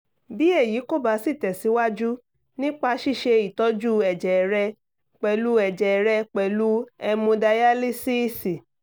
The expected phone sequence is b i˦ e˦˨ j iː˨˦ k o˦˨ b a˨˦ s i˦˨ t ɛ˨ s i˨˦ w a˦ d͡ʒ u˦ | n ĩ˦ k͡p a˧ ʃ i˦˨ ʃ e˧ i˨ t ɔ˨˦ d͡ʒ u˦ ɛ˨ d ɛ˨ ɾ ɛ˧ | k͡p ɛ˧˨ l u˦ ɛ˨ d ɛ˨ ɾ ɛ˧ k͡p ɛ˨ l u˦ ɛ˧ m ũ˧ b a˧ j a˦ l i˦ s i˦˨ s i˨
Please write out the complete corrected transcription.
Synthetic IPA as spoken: b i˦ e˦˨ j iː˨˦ k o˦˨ b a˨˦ s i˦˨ t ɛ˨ s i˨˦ w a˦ d͡ʒ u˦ | n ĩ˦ k͡p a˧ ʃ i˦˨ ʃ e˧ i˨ t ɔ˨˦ d͡ʒ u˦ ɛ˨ d͡ʒ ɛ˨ ɾ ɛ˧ | k͡p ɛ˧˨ l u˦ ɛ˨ d͡ʒ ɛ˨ ɾ ɛ˧ k͡p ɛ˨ l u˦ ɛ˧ m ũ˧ d a˧ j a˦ l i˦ s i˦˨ s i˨